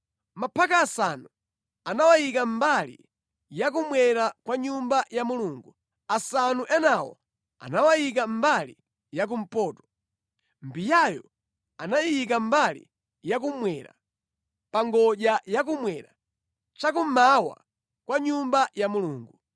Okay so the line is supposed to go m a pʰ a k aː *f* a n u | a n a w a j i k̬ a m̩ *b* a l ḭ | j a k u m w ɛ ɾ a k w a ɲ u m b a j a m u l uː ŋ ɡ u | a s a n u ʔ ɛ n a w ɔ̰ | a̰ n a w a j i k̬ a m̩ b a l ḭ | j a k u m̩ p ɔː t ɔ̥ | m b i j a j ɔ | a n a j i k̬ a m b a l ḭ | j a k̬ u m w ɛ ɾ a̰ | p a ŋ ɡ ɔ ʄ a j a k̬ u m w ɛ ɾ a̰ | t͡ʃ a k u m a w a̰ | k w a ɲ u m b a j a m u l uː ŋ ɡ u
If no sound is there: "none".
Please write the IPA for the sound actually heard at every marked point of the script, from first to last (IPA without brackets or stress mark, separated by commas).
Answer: s, b